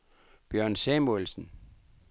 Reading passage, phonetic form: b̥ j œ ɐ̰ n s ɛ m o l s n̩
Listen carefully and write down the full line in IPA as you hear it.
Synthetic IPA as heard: b̥ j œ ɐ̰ n s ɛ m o l s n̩